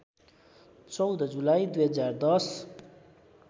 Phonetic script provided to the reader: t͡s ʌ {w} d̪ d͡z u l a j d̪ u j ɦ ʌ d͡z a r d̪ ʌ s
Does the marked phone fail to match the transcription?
no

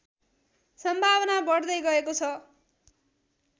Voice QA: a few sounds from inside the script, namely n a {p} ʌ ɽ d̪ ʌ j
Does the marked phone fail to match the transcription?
yes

